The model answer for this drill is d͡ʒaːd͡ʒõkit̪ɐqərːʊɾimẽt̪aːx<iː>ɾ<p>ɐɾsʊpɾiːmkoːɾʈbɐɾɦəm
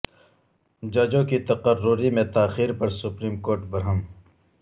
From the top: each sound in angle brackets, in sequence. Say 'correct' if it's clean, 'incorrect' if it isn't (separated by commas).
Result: correct, correct